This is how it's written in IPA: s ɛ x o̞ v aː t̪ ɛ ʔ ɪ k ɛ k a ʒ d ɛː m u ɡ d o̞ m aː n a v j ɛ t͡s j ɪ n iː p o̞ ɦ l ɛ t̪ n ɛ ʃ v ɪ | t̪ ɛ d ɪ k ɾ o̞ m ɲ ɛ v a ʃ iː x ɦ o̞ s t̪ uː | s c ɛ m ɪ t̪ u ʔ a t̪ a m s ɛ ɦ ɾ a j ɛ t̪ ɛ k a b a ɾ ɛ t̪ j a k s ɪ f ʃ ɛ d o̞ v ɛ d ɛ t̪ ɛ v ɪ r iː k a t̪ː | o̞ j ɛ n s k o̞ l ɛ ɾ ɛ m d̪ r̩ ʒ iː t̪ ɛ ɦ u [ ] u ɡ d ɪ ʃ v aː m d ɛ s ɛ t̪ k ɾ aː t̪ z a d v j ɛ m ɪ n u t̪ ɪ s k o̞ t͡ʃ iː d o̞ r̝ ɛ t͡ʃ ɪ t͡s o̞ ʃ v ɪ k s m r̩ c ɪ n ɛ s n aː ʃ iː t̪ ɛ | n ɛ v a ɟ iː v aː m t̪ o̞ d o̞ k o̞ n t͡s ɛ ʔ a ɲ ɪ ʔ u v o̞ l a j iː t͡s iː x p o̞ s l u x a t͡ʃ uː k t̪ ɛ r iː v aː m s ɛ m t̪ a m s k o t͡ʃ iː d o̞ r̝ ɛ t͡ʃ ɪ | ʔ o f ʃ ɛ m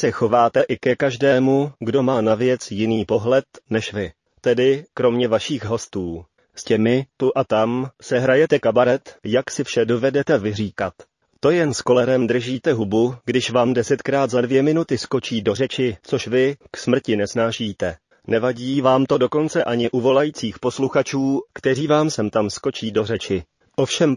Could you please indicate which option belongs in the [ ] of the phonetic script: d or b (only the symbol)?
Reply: b